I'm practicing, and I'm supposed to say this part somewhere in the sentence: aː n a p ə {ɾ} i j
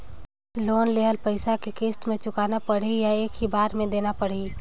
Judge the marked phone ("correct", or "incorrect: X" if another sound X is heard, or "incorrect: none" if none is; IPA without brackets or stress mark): incorrect: ɽ